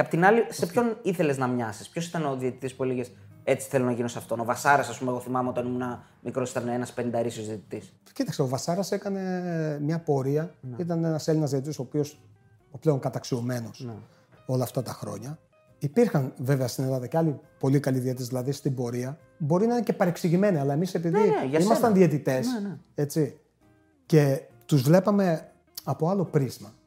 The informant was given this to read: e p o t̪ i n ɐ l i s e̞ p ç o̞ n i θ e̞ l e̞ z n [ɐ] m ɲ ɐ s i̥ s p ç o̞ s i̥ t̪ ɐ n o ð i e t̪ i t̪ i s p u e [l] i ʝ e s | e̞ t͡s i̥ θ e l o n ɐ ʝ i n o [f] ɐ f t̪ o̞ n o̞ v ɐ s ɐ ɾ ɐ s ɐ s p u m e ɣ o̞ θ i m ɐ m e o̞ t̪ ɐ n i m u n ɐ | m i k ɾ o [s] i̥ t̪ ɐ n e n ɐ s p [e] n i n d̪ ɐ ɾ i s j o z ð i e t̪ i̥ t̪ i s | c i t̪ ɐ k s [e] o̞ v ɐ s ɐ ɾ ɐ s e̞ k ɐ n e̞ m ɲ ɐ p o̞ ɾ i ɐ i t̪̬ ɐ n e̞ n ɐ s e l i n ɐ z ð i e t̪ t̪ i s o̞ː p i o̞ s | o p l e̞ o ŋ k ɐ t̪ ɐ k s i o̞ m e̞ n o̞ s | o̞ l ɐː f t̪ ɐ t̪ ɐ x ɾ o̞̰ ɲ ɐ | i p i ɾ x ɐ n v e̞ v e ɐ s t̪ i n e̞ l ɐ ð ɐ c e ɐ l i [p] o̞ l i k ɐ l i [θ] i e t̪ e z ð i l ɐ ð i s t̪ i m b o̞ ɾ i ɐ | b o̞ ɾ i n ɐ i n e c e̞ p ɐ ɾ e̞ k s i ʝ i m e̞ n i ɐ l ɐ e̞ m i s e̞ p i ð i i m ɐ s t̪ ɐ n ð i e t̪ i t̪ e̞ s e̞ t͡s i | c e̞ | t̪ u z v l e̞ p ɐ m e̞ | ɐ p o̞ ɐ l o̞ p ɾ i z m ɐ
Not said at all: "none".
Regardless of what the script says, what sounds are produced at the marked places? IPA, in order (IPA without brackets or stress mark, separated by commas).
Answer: ɐ, l, s, s, e, e, p, ð